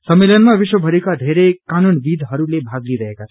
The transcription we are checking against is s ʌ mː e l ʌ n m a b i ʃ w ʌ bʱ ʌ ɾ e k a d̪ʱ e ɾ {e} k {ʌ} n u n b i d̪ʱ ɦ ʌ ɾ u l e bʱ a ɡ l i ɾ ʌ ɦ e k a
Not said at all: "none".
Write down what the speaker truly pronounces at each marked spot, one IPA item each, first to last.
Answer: e, a

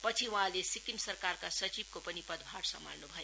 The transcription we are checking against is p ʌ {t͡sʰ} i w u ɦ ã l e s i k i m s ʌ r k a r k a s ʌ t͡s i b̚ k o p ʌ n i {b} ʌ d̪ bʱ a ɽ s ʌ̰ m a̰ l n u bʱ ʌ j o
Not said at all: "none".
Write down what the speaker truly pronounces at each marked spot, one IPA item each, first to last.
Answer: t͡sʰ, p

